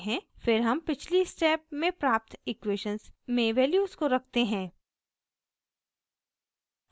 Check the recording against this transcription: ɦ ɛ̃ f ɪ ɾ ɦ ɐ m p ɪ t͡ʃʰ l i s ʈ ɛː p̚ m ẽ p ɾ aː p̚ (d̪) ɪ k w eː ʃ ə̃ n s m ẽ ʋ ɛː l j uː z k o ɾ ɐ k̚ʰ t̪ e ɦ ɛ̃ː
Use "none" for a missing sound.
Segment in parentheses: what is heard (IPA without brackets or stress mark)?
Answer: t̪